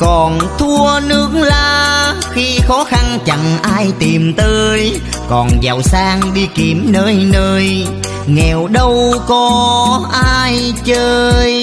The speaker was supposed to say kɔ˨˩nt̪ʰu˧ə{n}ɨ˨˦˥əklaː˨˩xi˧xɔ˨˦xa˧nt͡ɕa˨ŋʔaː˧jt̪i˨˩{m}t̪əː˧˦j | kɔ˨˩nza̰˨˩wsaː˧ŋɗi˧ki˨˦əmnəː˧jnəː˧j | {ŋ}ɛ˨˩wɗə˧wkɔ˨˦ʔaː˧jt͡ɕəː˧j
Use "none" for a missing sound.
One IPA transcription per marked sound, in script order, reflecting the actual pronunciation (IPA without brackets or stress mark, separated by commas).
n, m, ŋ